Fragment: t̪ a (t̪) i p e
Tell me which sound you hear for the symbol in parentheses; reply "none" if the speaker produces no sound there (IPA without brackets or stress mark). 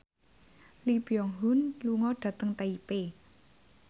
none